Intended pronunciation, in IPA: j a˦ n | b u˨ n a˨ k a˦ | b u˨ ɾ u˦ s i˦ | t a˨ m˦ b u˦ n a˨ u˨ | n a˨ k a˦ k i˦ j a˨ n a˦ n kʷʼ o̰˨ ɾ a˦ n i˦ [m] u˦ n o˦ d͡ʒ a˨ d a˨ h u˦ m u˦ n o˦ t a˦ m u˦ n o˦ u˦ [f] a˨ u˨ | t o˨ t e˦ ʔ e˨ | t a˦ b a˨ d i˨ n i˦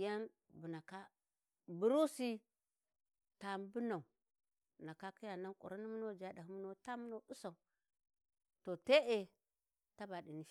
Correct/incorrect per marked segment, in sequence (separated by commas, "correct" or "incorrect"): correct, incorrect